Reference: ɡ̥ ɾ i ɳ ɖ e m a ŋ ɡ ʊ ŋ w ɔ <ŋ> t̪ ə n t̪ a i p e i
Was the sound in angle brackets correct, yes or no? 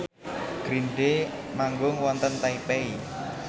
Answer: no